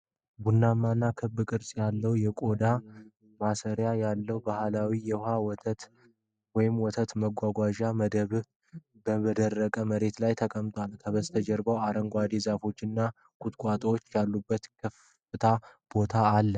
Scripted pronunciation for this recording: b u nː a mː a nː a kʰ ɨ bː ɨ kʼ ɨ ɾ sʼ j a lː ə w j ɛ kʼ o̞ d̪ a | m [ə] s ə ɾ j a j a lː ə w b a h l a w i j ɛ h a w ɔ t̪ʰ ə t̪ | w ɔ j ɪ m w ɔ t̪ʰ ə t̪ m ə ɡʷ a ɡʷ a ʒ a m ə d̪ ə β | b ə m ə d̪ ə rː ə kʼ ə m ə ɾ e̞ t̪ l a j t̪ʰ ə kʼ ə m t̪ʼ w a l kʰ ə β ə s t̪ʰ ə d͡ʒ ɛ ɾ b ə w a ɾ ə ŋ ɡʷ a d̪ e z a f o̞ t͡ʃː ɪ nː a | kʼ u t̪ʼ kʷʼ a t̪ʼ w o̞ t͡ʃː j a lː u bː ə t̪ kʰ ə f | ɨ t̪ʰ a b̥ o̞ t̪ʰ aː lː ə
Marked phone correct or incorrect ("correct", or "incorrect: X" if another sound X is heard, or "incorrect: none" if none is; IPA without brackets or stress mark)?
incorrect: a